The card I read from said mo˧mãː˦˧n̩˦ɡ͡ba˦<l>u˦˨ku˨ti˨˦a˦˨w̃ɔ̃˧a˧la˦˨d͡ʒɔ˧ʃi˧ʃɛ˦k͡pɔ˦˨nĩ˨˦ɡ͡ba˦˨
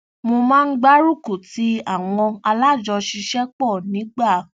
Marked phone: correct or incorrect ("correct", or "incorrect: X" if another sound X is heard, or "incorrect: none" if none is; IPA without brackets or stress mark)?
incorrect: ɾ